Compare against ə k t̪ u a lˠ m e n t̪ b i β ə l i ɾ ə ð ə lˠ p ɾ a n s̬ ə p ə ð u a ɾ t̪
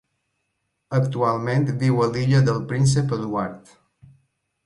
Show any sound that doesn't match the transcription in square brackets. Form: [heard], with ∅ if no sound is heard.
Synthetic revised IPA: ə k t̪ u a lˠ m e n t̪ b i [w] ə l i [ʎ] ə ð ə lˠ p ɾ [i] n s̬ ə p ə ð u a ɾ t̪